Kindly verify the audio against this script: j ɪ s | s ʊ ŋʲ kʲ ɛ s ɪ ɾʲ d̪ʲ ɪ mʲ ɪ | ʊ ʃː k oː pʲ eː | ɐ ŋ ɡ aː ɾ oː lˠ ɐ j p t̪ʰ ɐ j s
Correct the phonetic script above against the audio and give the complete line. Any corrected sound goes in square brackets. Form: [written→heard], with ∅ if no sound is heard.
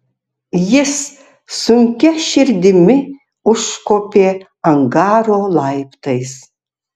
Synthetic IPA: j ɪ s | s ʊ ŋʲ kʲ ɛ [s→ʃ] ɪ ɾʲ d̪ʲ ɪ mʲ ɪ | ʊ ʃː k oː pʲ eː | ɐ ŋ ɡ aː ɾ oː lˠ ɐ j p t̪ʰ ɐ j s